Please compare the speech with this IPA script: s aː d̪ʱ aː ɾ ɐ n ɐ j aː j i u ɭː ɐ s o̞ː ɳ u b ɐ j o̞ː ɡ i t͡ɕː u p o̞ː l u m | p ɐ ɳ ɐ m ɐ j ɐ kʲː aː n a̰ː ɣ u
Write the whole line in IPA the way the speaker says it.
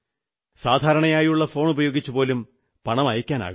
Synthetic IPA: s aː d̪ʱ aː ɾ ɐ ɳ ɐ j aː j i u ɭː ɐ f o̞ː ɳ u b ɐ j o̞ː ɡ i t͡ɕː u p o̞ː l u m | p ɐ ɳ ɐ m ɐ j ɐ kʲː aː n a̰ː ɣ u